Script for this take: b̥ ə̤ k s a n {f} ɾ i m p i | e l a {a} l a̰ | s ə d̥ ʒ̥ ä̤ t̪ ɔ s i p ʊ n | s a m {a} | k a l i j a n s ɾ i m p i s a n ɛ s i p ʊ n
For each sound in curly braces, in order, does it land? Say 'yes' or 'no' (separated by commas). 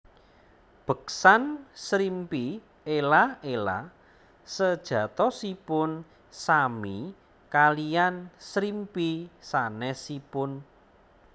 no, no, no